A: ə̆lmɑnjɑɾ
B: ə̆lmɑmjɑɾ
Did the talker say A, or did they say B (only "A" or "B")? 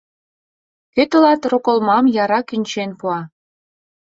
B